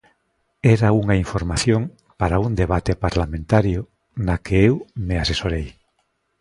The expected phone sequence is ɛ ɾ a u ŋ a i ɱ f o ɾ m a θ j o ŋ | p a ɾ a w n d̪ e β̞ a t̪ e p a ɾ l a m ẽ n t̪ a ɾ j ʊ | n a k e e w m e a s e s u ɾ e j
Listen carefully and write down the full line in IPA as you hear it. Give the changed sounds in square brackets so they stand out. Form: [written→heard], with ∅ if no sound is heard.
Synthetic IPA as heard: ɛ ɾ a u ŋ a i ɱ f o ɾ m a θ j o ŋ | p a ɾ a [w→u] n d̪ e β̞ a t̪ e p a ɾ l a m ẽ n t̪ a ɾ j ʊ | n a k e e w m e a s e s [u→o] ɾ e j